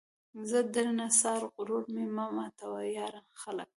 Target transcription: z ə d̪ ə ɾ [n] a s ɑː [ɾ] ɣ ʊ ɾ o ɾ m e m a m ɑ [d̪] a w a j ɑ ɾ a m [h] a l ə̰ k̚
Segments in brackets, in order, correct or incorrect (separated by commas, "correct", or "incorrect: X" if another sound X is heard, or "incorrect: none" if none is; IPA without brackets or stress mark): correct, correct, incorrect: t̪, incorrect: x